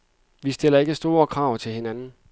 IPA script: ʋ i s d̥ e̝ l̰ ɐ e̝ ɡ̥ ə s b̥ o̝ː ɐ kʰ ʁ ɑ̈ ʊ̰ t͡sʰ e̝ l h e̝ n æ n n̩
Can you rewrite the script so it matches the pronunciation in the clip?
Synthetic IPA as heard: ʋ i s d̥ e̝ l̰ ɐ e̝ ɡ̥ ə s d̥ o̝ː ɐ kʰ ʁ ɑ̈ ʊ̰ t͡sʰ e̝ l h e̝ n æ n n̩